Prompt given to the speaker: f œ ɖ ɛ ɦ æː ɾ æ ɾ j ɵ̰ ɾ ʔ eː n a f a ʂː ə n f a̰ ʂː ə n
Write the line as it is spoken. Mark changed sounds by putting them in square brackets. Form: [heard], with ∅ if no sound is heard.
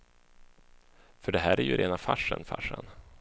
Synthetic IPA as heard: f œ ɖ ɛ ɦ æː ɾ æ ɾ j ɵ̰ ɾ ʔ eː n a f a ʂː ə n f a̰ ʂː ə n